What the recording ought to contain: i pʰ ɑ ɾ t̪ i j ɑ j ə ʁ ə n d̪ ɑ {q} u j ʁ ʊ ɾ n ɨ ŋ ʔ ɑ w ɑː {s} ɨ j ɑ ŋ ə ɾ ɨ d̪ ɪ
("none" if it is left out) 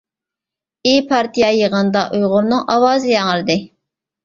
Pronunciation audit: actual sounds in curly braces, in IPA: ʔ, z

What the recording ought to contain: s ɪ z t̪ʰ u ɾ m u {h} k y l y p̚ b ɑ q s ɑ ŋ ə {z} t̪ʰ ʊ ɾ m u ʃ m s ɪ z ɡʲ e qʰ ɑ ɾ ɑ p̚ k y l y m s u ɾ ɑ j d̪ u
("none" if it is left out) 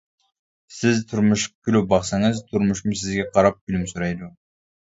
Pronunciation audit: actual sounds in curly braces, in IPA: ʃ, z

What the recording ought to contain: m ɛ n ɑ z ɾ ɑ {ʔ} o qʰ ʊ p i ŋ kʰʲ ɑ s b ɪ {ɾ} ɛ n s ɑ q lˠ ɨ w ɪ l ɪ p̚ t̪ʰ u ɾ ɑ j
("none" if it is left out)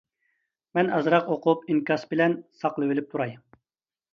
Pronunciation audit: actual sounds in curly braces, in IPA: q, l

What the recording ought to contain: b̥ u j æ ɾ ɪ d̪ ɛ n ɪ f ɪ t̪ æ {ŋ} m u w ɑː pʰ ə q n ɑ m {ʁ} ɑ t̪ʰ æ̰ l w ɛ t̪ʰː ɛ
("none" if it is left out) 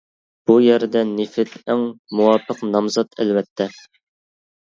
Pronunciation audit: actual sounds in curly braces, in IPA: ŋ, z

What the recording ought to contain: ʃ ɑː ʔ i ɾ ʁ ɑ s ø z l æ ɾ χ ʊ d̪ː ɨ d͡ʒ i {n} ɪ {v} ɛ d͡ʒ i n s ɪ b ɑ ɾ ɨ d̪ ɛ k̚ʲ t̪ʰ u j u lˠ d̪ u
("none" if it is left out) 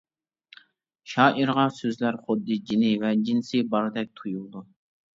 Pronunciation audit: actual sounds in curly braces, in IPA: n, v

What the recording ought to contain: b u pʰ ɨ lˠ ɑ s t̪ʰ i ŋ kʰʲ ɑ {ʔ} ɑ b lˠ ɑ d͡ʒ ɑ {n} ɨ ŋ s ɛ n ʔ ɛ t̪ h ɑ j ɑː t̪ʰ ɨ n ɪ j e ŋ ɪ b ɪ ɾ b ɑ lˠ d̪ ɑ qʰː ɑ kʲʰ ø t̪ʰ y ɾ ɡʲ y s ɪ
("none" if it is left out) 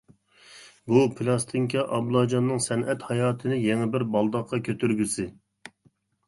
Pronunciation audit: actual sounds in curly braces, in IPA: ʔ, nː

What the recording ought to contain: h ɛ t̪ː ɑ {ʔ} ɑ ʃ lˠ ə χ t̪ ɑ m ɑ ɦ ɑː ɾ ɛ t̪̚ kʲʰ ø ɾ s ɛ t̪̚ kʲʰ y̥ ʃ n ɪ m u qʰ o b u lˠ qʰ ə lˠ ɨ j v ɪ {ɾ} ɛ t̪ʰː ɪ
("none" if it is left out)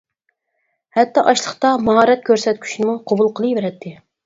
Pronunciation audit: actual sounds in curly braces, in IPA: ʔ, ɾ

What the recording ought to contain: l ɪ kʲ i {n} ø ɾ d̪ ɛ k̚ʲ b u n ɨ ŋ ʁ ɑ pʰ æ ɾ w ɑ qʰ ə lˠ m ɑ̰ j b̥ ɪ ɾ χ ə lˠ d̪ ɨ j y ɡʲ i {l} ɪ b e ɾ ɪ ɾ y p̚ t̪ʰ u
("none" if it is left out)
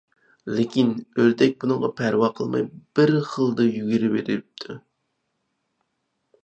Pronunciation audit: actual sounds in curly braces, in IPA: n, ɾ

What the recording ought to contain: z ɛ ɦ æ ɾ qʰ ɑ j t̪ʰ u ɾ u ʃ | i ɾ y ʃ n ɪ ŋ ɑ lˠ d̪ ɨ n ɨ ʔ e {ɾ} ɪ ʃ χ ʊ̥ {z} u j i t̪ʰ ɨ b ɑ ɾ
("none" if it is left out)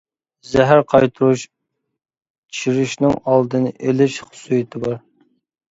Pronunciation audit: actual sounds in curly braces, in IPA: l, s

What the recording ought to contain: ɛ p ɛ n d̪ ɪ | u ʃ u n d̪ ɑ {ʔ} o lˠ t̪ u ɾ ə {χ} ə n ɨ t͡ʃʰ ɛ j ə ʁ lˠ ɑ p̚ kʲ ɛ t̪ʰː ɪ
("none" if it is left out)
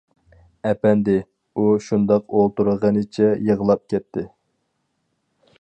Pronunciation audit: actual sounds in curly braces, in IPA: q, ʁ

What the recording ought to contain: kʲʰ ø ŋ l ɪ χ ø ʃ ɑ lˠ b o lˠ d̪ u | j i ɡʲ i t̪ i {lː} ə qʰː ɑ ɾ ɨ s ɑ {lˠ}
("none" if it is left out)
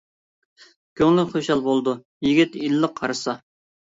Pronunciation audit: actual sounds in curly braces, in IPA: lː, none

